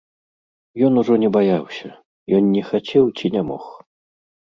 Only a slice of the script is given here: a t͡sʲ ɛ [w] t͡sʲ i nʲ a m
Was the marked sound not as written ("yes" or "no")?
no